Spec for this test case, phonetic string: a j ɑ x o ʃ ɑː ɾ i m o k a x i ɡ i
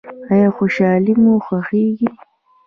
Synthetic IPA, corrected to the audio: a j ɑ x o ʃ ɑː l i m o x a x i ɡ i